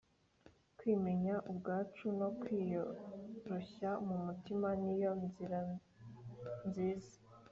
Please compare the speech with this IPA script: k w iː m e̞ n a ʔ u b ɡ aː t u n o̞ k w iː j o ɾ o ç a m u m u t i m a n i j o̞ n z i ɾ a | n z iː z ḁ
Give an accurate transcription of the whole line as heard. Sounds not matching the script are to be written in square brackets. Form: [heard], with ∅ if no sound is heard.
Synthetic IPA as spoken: k w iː m e̞ [ɲ] a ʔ u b ɡ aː [t͡ʃ] u n o̞ k w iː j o ɾ o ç a m u m u t i m a n i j o̞ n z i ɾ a | n z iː z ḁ